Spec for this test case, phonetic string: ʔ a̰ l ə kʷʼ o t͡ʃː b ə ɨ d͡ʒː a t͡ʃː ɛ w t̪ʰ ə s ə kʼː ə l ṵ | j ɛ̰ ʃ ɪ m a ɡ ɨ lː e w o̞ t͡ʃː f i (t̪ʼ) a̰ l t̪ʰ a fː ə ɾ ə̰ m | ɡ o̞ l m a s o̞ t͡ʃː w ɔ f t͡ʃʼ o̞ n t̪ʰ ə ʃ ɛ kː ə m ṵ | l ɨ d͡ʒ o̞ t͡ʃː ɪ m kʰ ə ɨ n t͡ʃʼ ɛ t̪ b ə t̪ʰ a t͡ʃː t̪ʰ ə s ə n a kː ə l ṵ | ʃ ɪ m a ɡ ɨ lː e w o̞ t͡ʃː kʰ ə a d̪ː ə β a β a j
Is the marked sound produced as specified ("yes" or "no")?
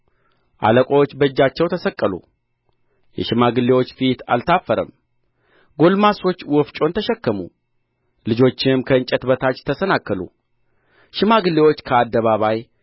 no